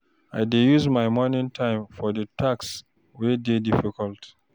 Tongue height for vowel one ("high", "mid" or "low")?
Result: low